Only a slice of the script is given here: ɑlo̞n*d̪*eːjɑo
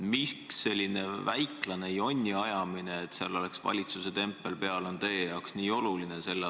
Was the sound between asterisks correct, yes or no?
no